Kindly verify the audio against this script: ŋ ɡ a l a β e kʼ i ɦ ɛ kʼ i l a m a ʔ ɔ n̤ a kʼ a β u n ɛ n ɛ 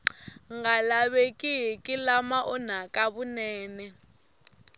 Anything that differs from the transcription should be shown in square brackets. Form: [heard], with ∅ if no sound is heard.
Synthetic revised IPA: ŋ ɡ a l a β e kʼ i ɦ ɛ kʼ i l a m a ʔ ɔ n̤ a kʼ a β u n [ɛː] n ɛ